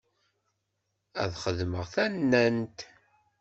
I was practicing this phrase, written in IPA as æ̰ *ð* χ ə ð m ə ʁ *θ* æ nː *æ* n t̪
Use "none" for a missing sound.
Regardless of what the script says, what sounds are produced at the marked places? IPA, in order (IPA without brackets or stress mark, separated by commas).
ð, θ, æ